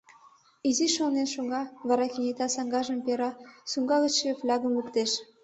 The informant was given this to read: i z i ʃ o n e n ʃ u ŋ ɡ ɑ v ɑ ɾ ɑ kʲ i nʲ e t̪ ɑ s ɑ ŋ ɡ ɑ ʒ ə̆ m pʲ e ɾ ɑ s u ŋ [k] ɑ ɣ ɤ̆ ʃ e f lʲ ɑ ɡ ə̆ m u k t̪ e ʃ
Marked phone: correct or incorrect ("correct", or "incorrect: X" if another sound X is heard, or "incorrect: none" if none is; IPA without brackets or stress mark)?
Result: incorrect: ɡ